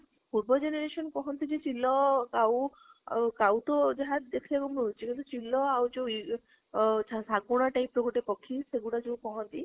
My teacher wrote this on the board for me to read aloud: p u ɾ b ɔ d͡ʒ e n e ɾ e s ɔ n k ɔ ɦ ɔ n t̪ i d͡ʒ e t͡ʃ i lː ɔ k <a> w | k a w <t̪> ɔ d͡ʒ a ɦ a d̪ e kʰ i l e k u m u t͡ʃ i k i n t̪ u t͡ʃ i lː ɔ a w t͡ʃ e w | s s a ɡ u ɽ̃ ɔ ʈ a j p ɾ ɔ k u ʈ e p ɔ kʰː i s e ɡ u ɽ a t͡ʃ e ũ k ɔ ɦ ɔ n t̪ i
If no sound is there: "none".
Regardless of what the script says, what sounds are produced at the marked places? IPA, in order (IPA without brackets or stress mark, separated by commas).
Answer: a, t̪